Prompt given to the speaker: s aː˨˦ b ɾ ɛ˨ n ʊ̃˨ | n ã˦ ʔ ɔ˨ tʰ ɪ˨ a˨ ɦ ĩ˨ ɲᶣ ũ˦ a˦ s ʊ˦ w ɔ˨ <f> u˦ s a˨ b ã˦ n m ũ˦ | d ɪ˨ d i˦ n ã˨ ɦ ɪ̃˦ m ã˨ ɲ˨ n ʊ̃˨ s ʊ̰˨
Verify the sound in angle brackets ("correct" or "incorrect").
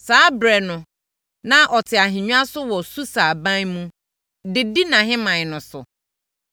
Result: incorrect